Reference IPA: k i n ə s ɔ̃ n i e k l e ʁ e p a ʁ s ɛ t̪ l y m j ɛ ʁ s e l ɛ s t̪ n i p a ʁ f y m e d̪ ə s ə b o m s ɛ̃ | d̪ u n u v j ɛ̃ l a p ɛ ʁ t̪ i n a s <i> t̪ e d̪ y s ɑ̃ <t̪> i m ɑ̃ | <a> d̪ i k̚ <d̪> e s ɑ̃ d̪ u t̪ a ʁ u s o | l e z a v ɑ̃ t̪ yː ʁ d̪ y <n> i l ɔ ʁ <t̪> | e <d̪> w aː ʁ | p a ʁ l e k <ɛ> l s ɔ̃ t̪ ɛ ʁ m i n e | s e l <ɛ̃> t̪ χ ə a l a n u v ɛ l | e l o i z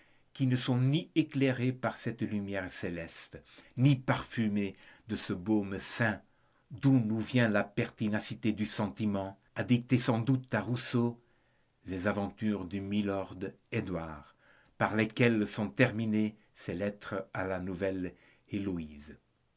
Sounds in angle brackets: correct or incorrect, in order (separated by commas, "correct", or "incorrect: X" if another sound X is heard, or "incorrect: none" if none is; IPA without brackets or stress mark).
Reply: correct, correct, correct, incorrect: t̪, incorrect: m, incorrect: d̪, correct, correct, incorrect: ɛ